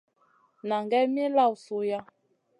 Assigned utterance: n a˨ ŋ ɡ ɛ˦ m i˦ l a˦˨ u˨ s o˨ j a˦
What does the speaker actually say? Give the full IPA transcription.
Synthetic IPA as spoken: n a˨ ŋ ɡ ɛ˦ m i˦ l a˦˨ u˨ s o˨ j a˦